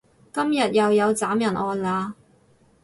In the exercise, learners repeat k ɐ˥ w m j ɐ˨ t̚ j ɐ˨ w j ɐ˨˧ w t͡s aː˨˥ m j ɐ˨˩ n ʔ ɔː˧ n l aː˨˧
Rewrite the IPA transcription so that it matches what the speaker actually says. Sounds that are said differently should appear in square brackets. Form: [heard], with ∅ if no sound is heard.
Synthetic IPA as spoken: k ɐ˥ [∅] m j ɐ˨ t̚ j ɐ˨ w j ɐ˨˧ w t͡s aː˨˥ m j ɐ˨˩ n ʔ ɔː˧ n l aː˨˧